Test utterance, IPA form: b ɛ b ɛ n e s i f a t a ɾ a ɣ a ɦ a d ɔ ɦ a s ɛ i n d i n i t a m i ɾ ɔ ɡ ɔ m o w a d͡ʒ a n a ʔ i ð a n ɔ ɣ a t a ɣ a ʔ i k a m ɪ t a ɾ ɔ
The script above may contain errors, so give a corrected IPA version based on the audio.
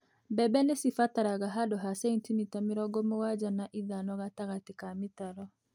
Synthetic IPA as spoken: b ɛ b ɛ n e s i f a t a ɾ a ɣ a ɦ a d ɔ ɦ a s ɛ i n t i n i t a m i ɾ ɔ ɡ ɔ m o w a d͡ʒ a n a ʔ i ð a n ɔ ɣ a t a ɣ a t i k a m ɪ t a ɾ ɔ